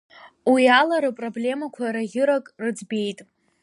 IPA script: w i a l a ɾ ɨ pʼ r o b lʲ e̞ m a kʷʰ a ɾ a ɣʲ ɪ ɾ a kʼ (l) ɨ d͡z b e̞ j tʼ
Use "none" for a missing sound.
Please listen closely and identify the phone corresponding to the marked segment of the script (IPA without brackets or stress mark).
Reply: r